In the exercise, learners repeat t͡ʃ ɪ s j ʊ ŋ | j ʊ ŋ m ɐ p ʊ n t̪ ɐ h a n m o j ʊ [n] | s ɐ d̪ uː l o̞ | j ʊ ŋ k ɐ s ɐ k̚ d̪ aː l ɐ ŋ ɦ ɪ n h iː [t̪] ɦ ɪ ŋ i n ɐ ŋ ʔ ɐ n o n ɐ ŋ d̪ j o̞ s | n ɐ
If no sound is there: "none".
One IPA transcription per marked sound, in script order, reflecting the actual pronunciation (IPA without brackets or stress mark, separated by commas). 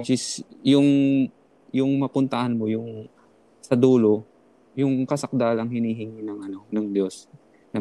ŋ, none